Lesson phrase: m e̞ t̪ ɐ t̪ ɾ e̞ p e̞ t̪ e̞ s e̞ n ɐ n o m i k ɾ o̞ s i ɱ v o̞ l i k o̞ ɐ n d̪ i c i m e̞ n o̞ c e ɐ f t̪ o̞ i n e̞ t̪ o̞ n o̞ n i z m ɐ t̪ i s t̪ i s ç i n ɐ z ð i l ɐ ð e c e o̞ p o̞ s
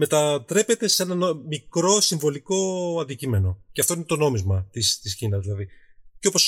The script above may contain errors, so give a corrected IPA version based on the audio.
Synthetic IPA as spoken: m e̞ t̪ ɐ t̪ ɾ e̞ p e̞ t̪ e̞ s e̞ n ɐ n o m i k ɾ o̞ s i ɱ v o̞ l i k o̞ ɐ n d̪ i c i m e̞ n o̞ c e ɐ f t̪ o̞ i n e̞ t̪ o̞ n o̞ m i z m ɐ t̪ i s t̪ i s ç i n ɐ z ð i l ɐ ð i c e o̞ p o̞ s